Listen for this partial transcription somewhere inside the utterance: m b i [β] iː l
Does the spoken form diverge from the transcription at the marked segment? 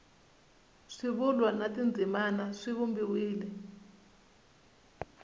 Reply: yes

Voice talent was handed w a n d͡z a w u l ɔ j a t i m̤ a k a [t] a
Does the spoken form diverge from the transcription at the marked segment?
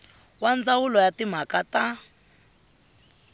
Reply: no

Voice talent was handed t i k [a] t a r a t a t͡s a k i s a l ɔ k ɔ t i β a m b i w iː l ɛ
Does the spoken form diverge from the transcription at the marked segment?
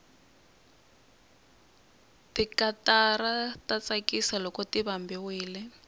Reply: no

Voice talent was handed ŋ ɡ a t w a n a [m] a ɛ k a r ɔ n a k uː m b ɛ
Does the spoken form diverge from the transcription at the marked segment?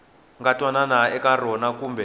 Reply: yes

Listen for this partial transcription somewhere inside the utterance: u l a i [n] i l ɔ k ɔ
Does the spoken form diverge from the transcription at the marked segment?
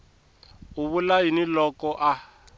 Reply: no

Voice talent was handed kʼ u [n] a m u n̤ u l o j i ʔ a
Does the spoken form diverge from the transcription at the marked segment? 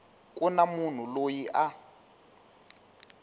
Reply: no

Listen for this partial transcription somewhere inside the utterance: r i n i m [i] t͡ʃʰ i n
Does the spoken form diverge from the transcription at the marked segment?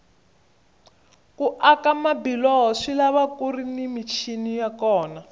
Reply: no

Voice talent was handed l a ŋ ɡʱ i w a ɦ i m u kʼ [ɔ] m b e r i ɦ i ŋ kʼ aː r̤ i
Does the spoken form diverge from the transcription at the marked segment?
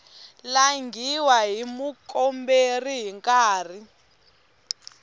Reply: no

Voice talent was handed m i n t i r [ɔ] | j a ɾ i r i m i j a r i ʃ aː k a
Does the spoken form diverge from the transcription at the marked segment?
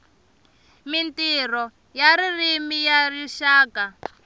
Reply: no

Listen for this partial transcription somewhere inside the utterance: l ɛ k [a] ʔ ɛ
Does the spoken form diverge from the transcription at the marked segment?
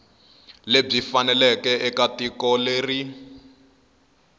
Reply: yes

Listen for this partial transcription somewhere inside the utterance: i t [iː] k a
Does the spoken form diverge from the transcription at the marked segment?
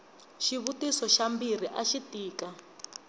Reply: no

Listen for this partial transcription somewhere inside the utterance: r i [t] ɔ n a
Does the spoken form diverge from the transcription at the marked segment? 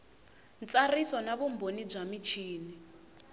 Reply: yes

